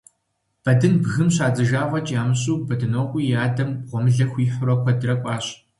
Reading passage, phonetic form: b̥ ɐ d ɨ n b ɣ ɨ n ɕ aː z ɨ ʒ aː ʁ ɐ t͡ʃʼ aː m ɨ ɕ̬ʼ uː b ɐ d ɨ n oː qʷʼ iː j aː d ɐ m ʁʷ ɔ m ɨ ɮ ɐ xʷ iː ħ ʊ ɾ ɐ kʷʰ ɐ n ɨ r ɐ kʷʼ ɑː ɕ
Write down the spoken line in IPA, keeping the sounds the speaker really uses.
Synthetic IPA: b̥ ɐ d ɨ n b ɣ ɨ m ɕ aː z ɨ ʒ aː ʁ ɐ t͡ʃʼ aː m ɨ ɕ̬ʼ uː b ɐ d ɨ n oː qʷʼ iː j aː d ɐ m ʁʷ ɔ m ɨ ɮ ɐ xʷ iː ħ ʊ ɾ ɐ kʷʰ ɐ d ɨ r ɐ kʷʼ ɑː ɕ